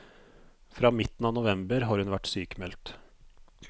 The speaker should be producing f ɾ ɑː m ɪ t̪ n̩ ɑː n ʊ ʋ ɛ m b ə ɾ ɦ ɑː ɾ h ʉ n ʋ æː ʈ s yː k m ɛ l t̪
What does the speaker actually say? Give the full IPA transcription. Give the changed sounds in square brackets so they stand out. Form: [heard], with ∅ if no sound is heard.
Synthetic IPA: f ɾ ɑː m ɪ t̪ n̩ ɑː n ʊ ʋ ɛ m b ə ɾ ɦ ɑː ɾ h ʉ n ʋ [æ] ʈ s yː k m ɛ l t̪